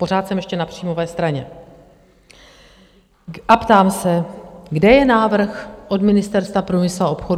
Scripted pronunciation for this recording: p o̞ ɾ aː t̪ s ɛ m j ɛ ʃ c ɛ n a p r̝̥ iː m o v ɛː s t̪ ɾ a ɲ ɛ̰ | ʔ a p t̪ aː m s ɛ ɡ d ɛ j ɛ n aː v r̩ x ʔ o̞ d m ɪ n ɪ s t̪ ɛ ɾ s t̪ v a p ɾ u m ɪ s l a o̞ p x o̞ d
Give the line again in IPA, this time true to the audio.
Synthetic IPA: p o̞ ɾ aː t̪ s ɛ m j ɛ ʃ c ɛ n a p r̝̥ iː m o v ɛː s t̪ ɾ a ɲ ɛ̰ | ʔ a p t̪ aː m s ɛ ɡ d ɛ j ɛ n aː v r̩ x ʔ o̞ d m ɪ n ɪ s t̪ ɛ ɾ s t̪ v a p ɾ u m ɪ s l a o̞ p x o̞ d